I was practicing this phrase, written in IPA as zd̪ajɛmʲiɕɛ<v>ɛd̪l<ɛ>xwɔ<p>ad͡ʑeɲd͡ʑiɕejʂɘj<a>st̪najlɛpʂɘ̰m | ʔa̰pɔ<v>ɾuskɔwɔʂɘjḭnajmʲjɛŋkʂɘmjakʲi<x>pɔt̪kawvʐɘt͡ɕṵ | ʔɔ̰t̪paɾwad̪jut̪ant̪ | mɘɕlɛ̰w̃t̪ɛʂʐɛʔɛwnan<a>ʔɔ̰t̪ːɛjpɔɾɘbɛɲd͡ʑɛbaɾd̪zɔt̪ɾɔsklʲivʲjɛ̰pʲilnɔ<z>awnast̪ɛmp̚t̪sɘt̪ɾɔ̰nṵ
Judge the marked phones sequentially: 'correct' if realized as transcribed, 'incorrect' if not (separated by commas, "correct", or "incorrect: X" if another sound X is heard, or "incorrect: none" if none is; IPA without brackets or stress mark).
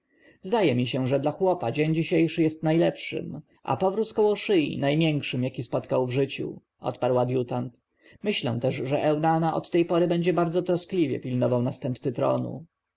incorrect: ʐ, incorrect: a, correct, incorrect: ɛ, correct, incorrect: s, correct, incorrect: v